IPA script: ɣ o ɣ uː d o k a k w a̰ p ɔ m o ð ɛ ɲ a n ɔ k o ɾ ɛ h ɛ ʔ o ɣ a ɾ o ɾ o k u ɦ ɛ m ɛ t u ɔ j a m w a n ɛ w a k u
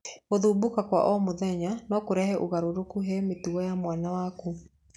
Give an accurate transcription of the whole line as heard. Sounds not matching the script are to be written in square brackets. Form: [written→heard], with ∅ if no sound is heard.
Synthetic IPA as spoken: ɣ o [ɣ→ð] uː [d→b] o k a k w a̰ [p→ʔ] ɔ m o ð ɛ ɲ a n ɔ k o ɾ ɛ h ɛ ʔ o ɣ a ɾ o ɾ o k u ɦ ɛ m [ɛ→e] t u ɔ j a m w a n [ɛ→a] w a k u